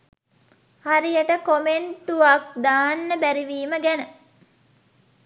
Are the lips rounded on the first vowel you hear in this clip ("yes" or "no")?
no